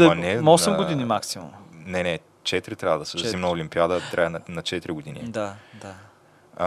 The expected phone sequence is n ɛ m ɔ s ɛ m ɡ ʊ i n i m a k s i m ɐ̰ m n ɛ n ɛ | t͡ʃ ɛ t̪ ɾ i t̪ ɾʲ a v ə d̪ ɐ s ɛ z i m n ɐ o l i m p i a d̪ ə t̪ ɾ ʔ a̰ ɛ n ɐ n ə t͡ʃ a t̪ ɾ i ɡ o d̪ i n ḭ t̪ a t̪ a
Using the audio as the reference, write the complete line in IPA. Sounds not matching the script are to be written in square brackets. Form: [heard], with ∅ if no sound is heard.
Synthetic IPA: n ɛ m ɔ s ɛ m ɡ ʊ i n i m a k s i m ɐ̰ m n ɛ n ɛ | t͡ʃ ɛ t̪ ɾ i t̪ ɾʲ a v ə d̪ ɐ s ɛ z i m n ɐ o l i m p i a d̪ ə t̪ ɾ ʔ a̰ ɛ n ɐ n [ɐ] t͡ʃ [ɛ] t̪ ɾ i ɡ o d̪ i n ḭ [d̪] a [d̪] a